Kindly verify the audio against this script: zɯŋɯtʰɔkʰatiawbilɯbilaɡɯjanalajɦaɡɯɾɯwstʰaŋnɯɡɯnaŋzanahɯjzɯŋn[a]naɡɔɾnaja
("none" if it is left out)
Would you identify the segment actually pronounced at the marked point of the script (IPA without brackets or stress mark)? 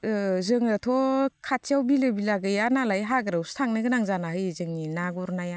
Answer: i